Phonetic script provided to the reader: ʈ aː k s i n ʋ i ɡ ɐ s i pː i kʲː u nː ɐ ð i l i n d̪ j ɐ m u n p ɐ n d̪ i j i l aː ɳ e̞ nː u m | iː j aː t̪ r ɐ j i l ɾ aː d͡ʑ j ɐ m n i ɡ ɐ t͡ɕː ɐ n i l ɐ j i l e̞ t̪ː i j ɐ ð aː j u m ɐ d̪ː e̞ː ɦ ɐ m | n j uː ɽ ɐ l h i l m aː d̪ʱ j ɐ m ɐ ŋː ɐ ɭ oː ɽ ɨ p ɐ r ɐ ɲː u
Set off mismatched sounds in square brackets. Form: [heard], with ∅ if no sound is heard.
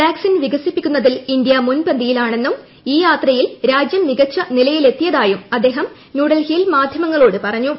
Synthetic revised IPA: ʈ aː k s i n ʋ i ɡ ɐ s i pː i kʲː u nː ɐ ð i l i n d̪ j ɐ m u n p ɐ n d̪ i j i l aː ɳ e̞ nː u m | iː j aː t̪ r ɐ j i l ɾ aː d͡ʑ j ɐ m n i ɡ ɐ t͡ɕː ɐ n i l ɐ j i l e̞ t̪ː i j ɐ ð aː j u m ɐ d̪ː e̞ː ɦ ɐ m | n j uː ɽ ɐ l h i l m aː d̪ʱ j ɐ m ɐ ŋː ɐ ɭ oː ɽ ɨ p ɐ r ɐ ɲː u